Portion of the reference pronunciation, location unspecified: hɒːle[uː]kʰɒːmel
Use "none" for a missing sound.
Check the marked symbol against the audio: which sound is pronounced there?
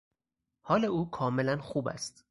uː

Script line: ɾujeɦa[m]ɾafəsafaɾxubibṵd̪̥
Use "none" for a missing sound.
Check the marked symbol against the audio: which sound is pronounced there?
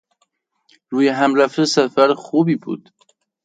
m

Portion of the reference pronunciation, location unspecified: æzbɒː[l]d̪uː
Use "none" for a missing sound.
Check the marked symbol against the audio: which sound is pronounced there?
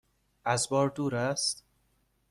ɾ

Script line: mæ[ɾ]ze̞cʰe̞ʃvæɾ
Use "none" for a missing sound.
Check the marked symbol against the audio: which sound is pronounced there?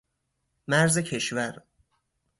ɾ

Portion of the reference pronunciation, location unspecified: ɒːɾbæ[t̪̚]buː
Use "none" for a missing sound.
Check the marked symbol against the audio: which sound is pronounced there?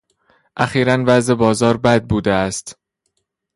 d̪̚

